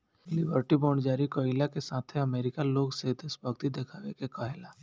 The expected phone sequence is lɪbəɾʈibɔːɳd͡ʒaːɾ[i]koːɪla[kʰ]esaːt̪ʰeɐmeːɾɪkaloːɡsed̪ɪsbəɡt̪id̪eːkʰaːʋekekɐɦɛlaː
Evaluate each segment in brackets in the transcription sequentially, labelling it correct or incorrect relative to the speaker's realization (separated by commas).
correct, incorrect